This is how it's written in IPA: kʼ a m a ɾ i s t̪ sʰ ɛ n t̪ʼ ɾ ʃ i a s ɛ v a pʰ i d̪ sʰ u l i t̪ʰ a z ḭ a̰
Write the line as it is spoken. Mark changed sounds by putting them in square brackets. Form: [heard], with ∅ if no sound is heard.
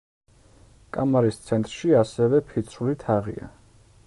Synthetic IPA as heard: kʼ a m a ɾ i s t̪ sʰ ɛ n t̪ʼ ɾ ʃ i a s ɛ v [ɛ] pʰ i [t̪] sʰ u l i t̪ʰ a [ʁ] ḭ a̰